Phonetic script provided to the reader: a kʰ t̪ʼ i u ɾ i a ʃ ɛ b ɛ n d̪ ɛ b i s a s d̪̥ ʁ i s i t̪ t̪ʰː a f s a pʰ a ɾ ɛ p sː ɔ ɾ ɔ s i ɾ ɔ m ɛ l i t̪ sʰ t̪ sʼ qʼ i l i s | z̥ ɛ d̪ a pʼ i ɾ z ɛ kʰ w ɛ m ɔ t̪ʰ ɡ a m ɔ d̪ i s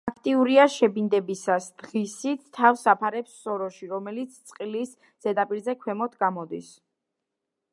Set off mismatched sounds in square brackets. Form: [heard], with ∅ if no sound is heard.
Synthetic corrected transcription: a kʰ t̪ʼ i u ɾ i a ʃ ɛ b [i] n d̪ ɛ b i s a s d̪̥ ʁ i s i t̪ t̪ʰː a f s a pʰ a ɾ ɛ p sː ɔ ɾ ɔ [ʃ] i ɾ ɔ m ɛ l i t̪ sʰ t̪ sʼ qʼ i l i s | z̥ ɛ d̪ a pʼ i ɾ z ɛ kʰ w ɛ m ɔ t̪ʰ ɡ a m ɔ d̪ i s